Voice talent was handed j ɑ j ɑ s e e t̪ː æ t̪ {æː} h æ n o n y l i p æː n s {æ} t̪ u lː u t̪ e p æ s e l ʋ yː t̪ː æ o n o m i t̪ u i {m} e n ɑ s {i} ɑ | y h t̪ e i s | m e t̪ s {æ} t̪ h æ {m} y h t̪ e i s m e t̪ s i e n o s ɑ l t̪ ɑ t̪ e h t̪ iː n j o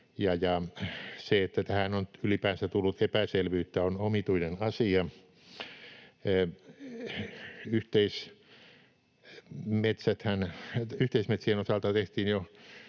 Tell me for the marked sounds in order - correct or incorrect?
incorrect: æ, correct, incorrect: n, correct, correct, incorrect: n

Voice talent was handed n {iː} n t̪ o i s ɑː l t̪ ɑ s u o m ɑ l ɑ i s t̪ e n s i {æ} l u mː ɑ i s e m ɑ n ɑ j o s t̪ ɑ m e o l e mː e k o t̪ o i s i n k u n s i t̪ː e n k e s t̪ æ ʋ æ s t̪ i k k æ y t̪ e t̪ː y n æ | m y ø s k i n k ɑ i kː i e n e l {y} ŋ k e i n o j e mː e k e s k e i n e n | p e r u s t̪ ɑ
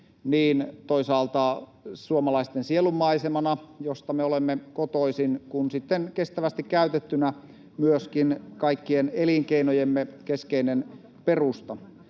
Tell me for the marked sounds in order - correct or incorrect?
correct, incorrect: e, incorrect: i

